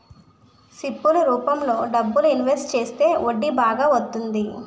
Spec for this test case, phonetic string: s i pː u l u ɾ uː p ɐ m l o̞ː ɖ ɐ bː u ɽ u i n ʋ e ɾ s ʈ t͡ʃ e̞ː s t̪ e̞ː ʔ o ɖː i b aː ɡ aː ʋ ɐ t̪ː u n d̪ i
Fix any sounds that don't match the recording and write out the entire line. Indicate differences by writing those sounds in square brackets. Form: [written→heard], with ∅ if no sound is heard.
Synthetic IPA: s i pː u l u ɾ uː p ɐ m l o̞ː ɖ ɐ bː u [ɽ→l] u i n ʋ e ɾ s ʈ t͡ʃ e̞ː s t̪ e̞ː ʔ o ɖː i b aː ɡ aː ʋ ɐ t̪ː u n d̪ i

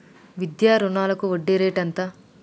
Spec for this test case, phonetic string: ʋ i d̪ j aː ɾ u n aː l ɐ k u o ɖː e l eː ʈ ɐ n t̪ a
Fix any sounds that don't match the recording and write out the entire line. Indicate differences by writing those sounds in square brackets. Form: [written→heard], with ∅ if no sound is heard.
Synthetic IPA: ʋ i d̪ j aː ɾ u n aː l ɐ k u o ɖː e [l→ɾ] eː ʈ ɐ n t̪ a

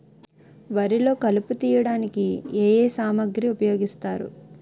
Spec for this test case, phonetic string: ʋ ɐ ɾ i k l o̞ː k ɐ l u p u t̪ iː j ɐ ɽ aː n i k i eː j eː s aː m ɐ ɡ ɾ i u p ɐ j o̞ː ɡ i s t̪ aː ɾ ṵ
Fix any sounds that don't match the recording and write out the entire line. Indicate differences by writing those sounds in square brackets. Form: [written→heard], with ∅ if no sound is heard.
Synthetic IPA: ʋ ɐ ɾ i [k→∅] l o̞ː k ɐ l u p u t̪ iː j ɐ ɽ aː n i k i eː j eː s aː m ɐ ɡ ɾ i u p ɐ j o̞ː ɡ i s t̪ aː ɾ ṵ

